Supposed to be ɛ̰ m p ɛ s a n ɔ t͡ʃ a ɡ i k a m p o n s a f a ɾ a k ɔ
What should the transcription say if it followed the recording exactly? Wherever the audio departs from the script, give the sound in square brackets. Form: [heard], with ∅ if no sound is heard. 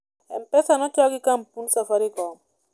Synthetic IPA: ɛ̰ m p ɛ s a n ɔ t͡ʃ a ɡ i k a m p [u] n s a f a ɾ [i] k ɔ